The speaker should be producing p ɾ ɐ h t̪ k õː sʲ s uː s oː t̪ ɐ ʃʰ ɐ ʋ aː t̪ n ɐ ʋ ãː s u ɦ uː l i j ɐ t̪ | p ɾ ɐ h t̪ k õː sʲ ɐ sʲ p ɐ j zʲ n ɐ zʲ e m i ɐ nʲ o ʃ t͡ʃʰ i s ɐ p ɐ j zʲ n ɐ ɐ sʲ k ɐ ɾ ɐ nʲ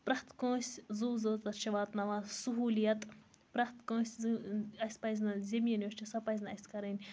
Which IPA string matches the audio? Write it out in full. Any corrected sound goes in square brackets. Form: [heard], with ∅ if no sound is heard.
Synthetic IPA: p ɾ ɐ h t̪ k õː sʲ [z] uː [z] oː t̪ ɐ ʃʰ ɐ ʋ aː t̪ n ɐ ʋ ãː s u ɦ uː l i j ɐ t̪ | p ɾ ɐ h t̪ k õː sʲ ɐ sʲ p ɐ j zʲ n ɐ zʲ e m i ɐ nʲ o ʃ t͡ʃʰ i s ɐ p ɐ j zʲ n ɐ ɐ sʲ k ɐ ɾ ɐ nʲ